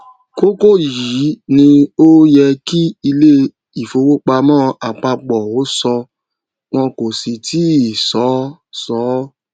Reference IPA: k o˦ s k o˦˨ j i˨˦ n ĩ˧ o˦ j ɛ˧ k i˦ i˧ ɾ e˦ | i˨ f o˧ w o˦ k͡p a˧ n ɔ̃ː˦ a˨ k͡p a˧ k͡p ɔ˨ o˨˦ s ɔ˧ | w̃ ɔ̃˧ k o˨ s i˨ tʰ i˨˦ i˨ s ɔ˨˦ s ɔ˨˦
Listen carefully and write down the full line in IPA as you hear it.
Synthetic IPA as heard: k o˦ k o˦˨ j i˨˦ n ĩ˧ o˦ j ɛ˧ k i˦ i˧ l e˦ | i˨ f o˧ w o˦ k͡p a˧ m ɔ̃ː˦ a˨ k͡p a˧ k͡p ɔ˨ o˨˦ s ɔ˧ | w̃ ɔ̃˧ k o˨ s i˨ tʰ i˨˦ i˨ s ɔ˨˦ s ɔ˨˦

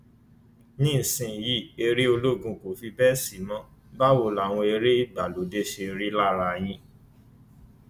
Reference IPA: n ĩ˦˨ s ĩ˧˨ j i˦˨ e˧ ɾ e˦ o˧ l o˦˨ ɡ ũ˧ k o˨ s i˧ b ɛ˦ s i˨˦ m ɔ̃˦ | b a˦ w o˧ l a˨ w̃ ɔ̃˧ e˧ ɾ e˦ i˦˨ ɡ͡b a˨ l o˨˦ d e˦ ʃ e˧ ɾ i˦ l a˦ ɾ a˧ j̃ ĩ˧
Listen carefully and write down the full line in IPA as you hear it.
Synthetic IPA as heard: n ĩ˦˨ s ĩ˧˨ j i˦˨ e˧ ɾ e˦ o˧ l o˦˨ ɡ ũ˧ k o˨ f i˧ b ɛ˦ s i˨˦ m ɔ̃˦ | b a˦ w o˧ l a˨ w̃ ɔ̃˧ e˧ ɾ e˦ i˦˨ ɡ͡b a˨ l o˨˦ d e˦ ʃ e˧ ɾ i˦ l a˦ ɾ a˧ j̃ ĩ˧

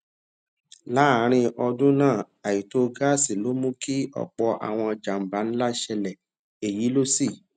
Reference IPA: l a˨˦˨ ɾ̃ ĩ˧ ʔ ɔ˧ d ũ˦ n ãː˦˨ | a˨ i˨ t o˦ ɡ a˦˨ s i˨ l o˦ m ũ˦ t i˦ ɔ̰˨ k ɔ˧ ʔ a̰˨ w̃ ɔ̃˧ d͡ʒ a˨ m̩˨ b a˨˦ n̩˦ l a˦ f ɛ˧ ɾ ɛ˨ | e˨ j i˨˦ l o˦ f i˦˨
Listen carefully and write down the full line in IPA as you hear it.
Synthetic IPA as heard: l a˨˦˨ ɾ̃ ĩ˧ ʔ ɔ˧ d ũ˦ n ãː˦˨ | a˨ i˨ t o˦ ɡ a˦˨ s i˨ l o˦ m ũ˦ k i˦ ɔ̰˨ k͡p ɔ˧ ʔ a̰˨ w̃ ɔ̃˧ d͡ʒ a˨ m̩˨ b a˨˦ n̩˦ l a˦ ʃ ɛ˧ l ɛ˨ | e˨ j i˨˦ l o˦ s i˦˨

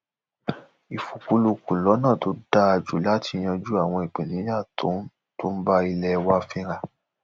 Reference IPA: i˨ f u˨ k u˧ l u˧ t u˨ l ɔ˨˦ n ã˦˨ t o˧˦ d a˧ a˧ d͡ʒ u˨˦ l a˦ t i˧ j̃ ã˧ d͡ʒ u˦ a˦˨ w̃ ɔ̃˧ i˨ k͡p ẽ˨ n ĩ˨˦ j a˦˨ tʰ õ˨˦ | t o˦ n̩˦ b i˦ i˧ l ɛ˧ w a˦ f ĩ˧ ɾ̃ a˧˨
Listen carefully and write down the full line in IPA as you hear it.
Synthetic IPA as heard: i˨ f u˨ k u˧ l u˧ k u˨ l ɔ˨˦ n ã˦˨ t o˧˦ d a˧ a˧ d͡ʒ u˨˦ l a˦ t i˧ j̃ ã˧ d͡ʒ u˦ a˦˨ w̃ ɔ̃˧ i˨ k͡p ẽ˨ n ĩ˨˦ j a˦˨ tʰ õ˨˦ | t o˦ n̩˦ b a˦ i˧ l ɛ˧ w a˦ f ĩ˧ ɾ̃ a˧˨

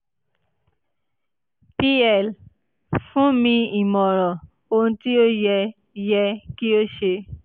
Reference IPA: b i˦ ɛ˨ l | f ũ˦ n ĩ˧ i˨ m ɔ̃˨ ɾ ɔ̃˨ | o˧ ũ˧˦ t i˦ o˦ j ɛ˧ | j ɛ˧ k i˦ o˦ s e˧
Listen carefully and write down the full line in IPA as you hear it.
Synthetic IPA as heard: p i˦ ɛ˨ l | f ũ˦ m ĩ˧ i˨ m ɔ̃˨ ɾ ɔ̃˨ | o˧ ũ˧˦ t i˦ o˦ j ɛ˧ | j ɛ˧ k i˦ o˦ ʃ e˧

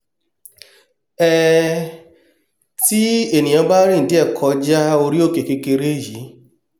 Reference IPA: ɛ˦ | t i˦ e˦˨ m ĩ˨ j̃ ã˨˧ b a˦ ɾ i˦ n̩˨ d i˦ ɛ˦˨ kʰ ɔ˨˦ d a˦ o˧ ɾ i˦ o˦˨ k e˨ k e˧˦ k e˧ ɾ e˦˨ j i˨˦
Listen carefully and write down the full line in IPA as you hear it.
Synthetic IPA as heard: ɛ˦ | t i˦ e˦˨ n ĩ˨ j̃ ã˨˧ b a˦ ɾ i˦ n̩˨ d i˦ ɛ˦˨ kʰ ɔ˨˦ d͡ʒ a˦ o˧ ɾ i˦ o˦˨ k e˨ k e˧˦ k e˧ ɾ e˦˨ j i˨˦

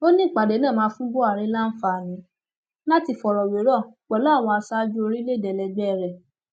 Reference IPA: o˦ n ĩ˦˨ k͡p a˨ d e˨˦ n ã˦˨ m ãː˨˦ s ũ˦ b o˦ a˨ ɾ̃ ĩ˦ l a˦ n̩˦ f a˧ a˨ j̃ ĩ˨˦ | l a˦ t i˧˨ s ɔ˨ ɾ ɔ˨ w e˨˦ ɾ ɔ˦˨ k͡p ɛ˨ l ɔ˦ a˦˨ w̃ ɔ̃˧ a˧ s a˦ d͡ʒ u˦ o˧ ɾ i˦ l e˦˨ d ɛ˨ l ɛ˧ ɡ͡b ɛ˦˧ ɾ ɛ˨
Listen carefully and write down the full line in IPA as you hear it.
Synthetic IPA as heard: o˦ n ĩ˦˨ k͡p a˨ d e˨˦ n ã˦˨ m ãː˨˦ f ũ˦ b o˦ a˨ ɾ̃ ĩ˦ l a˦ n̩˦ f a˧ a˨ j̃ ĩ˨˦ | l a˦ t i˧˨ f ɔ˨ ɾ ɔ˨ w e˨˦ ɾ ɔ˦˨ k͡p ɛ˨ l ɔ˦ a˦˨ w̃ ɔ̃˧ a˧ s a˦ d͡ʒ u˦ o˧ ɾ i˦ l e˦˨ d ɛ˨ l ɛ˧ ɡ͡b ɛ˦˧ ɾ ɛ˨

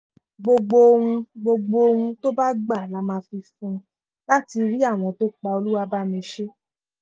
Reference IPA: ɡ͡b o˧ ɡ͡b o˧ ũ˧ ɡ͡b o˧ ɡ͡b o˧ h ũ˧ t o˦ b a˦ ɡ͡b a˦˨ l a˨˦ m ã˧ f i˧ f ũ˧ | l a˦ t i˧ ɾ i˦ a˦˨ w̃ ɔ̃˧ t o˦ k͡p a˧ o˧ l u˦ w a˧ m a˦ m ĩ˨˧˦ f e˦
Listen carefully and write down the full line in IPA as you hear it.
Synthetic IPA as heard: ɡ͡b o˧ ɡ͡b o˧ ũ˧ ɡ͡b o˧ ɡ͡b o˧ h ũ˧ t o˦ b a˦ ɡ͡b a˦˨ l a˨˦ m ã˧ f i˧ f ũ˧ | l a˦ t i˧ ɾ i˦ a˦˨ w̃ ɔ̃˧ t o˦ k͡p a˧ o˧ l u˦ w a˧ b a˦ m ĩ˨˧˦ ʃ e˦

